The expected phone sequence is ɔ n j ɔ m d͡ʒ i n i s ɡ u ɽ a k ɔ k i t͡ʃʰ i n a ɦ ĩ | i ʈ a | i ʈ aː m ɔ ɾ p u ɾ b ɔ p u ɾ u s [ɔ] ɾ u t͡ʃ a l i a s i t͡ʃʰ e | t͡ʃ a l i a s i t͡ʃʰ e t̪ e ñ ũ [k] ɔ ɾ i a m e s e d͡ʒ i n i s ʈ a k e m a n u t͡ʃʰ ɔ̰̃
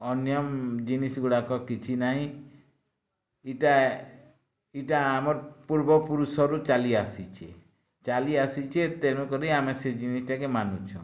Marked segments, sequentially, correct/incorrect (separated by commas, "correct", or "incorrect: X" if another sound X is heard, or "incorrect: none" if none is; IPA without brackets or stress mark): correct, correct